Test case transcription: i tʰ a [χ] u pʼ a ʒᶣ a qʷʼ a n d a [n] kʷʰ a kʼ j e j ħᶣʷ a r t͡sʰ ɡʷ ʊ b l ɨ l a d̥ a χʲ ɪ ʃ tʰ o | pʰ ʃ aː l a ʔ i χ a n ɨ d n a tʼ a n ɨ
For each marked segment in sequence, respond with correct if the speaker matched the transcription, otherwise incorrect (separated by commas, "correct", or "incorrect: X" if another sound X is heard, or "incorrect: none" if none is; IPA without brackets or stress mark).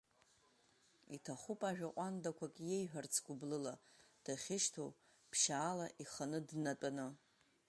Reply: correct, incorrect: none